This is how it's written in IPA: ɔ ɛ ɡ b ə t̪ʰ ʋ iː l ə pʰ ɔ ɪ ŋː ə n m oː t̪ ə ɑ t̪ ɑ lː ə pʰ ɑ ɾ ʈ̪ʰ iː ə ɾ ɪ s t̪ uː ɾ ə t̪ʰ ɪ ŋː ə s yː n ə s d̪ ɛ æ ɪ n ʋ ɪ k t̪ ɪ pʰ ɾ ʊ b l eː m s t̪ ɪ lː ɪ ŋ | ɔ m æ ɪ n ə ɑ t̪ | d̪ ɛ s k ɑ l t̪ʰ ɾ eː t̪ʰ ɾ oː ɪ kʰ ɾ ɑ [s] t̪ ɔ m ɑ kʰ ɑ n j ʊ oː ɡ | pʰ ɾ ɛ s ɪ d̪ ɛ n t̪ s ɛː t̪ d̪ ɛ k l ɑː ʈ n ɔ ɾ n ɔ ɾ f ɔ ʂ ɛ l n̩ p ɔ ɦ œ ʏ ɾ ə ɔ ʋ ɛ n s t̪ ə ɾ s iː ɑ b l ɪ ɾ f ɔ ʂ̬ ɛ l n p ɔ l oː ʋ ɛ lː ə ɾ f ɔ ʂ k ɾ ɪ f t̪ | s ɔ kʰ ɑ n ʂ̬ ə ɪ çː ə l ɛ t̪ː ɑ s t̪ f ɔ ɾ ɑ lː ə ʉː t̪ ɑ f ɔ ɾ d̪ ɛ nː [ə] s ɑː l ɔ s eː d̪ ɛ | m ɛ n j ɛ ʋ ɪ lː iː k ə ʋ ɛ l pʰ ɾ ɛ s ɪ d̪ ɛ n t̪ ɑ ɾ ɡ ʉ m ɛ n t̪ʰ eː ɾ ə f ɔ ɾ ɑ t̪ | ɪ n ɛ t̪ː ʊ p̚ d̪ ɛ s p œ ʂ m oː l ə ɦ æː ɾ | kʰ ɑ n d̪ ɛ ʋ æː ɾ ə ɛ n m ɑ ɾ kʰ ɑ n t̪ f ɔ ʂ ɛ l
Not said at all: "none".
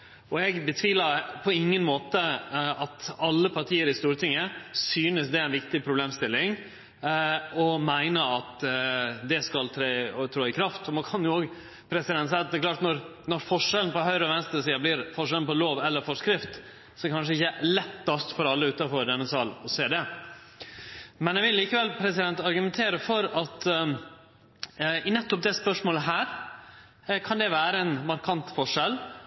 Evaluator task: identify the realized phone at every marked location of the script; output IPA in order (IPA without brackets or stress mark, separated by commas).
f, ə